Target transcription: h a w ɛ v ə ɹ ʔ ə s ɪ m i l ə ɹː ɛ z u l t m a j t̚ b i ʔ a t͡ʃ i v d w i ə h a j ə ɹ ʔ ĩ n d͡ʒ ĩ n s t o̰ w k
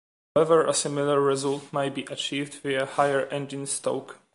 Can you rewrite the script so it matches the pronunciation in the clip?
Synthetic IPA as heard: h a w ɛ v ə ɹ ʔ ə s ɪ m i l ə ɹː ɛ z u l t m a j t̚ b i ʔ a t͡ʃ i v d w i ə h a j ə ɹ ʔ ɛ̃ n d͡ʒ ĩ n s t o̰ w k